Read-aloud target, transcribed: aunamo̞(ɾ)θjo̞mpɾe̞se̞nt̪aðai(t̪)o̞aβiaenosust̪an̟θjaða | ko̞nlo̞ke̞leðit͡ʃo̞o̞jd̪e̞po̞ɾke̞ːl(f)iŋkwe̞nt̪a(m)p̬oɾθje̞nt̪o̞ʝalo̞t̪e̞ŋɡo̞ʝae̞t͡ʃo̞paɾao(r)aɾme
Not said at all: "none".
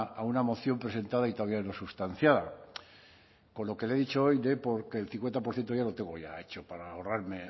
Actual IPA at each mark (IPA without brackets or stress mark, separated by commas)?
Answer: none, t̪, θ, none, r